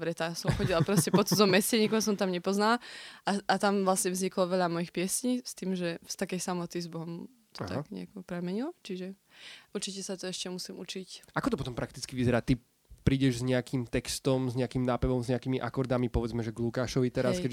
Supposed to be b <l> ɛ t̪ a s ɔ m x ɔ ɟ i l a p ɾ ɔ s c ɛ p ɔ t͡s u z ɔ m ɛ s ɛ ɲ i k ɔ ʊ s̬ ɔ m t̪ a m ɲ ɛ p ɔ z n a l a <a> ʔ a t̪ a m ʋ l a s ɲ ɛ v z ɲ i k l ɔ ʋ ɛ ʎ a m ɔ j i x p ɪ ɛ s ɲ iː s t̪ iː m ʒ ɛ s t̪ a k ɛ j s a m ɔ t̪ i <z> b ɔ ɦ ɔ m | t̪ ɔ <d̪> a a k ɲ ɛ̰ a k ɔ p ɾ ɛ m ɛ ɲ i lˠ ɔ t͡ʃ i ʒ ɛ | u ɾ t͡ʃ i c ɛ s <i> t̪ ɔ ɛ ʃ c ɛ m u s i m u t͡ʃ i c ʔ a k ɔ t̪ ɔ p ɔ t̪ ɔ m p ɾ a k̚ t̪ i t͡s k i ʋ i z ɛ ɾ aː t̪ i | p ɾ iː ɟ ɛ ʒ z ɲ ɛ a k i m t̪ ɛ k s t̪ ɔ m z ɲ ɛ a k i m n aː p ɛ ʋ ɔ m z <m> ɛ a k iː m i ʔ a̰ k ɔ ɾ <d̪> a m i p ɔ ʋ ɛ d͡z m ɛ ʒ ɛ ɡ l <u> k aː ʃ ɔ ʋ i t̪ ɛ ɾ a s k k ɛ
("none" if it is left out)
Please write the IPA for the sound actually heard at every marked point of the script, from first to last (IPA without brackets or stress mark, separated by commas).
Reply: ɾ, a, z, t̪, a, ɲ, d̪, u